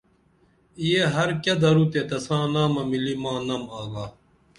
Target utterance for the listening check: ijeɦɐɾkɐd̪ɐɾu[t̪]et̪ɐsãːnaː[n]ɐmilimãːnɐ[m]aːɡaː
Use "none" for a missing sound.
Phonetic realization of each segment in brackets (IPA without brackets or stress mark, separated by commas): t̪, m, m